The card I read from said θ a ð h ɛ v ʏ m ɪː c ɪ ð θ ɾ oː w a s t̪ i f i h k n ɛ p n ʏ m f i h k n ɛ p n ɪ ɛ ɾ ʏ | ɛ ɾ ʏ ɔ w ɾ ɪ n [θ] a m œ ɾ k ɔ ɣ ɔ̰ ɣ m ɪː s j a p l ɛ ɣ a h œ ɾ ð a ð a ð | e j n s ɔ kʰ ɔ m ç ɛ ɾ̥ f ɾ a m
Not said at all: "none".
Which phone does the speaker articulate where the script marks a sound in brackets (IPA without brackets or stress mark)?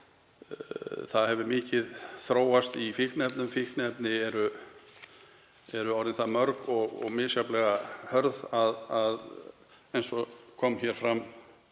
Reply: θ